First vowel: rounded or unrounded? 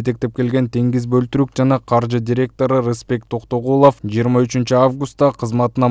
unrounded